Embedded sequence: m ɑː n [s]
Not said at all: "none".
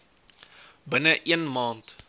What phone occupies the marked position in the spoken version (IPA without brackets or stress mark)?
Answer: t